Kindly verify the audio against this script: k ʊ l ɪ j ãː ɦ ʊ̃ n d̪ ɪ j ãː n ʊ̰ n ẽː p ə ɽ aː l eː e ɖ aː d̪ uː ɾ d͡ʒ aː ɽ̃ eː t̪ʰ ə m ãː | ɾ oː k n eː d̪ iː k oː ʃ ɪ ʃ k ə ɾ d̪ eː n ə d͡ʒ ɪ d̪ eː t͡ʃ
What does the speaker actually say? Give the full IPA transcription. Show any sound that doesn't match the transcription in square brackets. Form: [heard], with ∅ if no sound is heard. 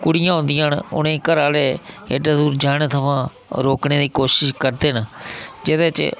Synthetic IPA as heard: k ʊ [ɽ] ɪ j ãː ɦ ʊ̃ n d̪ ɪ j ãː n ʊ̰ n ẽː [k] ə [ɾ] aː l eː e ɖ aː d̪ uː ɾ d͡ʒ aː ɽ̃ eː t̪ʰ ə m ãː | ɾ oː k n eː d̪ iː k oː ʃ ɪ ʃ k ə ɾ d̪ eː n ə d͡ʒ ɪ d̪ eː t͡ʃ